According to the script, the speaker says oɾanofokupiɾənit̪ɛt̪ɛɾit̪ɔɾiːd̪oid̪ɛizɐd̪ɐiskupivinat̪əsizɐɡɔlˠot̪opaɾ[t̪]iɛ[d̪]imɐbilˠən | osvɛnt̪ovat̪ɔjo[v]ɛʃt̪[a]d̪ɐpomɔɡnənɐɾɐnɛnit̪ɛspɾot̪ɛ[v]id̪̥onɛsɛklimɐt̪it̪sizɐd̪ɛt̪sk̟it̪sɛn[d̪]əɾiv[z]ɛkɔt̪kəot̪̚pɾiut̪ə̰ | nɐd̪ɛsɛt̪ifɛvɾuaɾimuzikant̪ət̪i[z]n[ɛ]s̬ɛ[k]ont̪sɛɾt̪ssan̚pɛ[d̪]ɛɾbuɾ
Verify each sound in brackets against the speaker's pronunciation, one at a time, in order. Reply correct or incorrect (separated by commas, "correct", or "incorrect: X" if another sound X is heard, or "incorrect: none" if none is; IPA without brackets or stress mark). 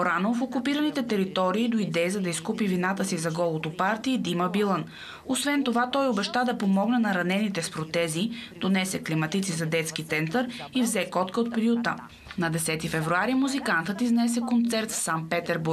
correct, correct, incorrect: b, correct, incorrect: z, incorrect: t̪, correct, correct, correct, correct, incorrect: t̪